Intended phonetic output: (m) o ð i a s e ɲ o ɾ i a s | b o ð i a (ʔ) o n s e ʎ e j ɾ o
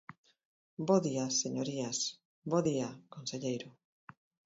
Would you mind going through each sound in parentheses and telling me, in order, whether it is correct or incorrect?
incorrect: b, incorrect: k

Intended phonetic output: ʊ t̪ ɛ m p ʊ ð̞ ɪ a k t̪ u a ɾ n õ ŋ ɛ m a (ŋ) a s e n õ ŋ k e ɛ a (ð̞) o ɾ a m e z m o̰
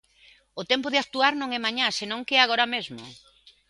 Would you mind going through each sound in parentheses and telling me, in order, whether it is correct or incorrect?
incorrect: ɲ, incorrect: ɣ̞

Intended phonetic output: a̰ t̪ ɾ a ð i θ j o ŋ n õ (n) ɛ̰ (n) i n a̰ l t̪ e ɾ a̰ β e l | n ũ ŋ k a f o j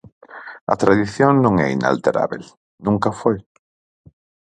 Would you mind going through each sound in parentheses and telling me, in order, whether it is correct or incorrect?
incorrect: ŋ, incorrect: none

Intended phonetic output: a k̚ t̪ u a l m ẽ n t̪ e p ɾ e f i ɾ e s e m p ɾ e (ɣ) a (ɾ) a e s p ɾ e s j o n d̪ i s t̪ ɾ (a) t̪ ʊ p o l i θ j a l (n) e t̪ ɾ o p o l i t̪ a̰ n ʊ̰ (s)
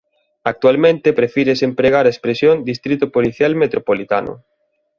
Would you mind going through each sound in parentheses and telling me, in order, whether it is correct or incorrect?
correct, correct, incorrect: i, incorrect: m, incorrect: none

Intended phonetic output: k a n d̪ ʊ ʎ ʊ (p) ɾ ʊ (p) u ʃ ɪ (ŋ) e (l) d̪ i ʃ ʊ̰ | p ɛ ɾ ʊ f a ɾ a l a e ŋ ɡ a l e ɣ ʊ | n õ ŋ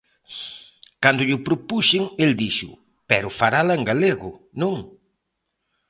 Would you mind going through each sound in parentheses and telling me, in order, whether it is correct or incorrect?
correct, correct, correct, correct

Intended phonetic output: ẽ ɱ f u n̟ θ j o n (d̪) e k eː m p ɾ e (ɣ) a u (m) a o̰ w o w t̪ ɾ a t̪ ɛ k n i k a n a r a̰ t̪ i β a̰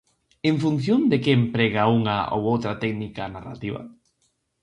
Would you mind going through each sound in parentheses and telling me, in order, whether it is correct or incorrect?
correct, correct, incorrect: ŋ

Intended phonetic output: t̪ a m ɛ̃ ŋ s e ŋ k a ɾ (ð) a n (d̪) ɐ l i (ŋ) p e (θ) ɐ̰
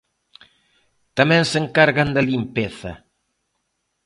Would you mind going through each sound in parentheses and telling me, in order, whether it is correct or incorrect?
incorrect: ɣ, correct, incorrect: m, correct

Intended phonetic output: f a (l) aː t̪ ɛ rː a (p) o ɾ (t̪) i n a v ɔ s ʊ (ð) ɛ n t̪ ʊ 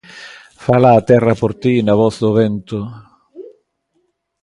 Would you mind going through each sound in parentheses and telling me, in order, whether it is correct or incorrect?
correct, correct, correct, incorrect: v

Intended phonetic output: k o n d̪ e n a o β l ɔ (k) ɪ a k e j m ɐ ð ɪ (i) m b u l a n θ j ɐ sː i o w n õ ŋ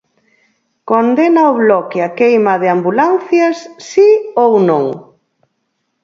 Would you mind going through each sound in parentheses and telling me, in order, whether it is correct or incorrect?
correct, incorrect: a

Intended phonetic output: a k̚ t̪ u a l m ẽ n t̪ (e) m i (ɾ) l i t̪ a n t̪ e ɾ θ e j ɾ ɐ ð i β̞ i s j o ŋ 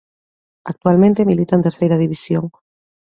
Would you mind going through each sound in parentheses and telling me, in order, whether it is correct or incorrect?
correct, incorrect: none

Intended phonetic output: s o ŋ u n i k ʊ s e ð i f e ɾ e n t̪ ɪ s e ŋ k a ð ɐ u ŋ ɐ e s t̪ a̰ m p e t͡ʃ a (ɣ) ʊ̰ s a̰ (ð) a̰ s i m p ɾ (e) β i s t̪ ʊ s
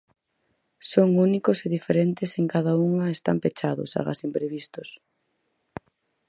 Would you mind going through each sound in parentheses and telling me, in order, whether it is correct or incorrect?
incorrect: ð, incorrect: ɣ, correct

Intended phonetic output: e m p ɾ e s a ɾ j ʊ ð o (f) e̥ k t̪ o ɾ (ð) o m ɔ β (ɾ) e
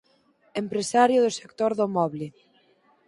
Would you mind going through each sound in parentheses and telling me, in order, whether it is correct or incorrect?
incorrect: s, correct, incorrect: l

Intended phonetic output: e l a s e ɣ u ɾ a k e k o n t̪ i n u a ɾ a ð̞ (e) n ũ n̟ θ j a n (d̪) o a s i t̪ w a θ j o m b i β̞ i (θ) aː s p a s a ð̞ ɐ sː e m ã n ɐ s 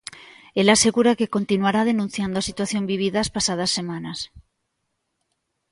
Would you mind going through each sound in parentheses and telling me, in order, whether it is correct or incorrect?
correct, correct, incorrect: ð

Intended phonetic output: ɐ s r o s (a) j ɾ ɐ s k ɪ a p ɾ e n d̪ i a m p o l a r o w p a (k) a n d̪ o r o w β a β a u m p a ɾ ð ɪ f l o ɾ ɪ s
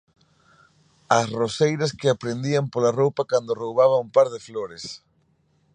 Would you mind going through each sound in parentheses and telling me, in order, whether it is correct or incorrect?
incorrect: e, correct

